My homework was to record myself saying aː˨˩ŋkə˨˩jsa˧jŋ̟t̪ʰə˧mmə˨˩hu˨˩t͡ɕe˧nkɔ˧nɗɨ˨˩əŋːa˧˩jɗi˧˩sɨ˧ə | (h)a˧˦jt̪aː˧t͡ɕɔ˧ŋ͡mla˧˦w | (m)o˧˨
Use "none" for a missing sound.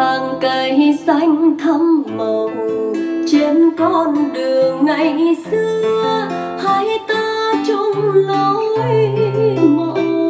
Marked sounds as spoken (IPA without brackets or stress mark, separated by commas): h, m